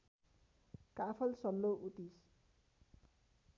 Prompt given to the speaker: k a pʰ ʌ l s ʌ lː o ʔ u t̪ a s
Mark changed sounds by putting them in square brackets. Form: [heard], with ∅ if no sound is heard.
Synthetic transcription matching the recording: k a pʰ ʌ l s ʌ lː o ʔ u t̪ [i] s